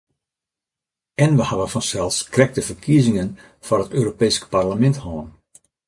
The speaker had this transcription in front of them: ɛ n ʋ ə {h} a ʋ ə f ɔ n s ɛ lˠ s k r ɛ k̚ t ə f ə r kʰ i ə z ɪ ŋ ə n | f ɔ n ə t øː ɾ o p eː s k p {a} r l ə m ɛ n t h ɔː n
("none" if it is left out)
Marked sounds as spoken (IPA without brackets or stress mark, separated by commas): h, a